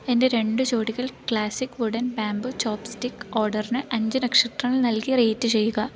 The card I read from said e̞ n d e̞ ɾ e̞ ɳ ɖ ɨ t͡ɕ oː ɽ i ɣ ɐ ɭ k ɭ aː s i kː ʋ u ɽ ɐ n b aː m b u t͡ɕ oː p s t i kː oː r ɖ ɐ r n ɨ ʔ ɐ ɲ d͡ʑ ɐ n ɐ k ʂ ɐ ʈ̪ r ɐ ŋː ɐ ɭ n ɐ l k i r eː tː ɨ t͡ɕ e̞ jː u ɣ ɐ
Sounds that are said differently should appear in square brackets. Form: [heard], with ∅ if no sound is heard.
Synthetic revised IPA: e̞ n d e̞ ɾ e̞ ɳ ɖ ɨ t͡ɕ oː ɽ i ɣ ɐ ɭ k ɭ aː s i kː ʋ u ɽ ɐ n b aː m b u t͡ɕ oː p s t i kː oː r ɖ ɐ r n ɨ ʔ ɐ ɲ d͡ʑ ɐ n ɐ k ʂ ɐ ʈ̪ r ɐ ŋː ɐ ɭ n ɐ l k i r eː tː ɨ t͡ɕ e̞ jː u ɣ ɐ